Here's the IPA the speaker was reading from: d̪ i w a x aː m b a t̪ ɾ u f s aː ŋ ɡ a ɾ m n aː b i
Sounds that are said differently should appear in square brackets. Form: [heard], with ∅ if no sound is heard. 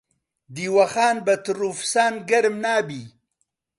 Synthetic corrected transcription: d̪ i w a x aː [n] b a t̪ ɾ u f s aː [n] ɡ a ɾ m n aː b i

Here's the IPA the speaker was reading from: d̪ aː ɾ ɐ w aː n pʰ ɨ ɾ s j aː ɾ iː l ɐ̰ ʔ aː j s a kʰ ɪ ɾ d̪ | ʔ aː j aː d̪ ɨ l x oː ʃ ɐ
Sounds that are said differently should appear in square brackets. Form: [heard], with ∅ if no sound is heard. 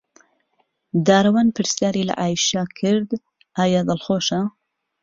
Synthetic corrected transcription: d̪ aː ɾ ɐ w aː n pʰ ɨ ɾ s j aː ɾ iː l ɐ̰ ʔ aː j [ʃ] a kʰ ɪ ɾ d̪ | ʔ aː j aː d̪ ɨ l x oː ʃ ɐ

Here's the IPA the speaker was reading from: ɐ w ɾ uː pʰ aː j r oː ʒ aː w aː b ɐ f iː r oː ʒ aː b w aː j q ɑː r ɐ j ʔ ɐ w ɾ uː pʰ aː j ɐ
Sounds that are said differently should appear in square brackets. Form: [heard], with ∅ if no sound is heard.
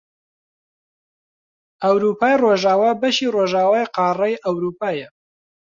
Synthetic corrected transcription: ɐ w ɾ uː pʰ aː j r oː ʒ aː w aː b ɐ [ʃ] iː r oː ʒ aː [∅] w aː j q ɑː r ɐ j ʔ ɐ w ɾ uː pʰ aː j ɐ

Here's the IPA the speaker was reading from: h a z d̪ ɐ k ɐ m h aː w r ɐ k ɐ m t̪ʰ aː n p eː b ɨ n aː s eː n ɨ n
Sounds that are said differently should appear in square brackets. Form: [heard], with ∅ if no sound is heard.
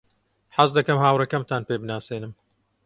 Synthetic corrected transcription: [ħ] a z d̪ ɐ k ɐ m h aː w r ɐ k ɐ m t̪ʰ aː n p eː b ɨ n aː s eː n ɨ [m]

